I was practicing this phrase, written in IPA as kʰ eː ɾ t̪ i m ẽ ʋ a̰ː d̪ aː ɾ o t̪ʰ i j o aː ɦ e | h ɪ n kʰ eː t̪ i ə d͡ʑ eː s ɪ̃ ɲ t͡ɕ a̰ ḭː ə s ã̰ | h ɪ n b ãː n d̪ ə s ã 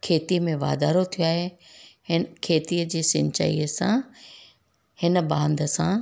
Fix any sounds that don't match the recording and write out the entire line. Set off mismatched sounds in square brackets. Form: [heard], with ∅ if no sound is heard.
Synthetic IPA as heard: kʰ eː [∅] t̪ i m ẽ ʋ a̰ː d̪ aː ɾ o t̪ʰ i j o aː ɦ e | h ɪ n kʰ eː t̪ i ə d͡ʑ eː s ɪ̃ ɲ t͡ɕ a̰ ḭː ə s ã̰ | h ɪ n b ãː n d̪ ə s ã